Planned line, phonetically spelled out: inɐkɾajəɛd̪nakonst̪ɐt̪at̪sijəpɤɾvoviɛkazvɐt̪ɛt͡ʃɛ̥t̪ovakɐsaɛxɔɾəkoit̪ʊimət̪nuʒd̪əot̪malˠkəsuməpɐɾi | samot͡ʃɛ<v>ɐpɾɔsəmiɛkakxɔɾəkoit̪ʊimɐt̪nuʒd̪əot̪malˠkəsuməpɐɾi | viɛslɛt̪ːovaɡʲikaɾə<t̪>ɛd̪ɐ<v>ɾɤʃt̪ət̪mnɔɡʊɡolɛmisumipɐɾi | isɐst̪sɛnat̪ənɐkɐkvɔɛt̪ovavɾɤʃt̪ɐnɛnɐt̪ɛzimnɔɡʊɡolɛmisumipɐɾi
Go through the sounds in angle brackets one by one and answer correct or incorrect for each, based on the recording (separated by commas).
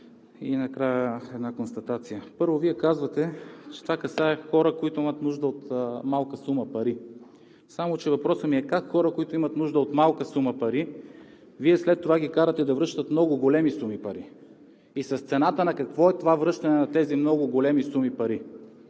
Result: correct, correct, correct